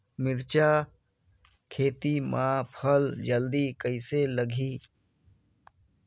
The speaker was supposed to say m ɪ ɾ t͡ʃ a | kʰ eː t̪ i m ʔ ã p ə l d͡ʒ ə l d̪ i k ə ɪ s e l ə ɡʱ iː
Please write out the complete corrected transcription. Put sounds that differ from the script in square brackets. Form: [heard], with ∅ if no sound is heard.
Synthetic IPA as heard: m ɪ ɾ t͡ʃ a | kʰ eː t̪ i m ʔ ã [pʰ] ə l d͡ʒ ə l d̪ i k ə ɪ s e l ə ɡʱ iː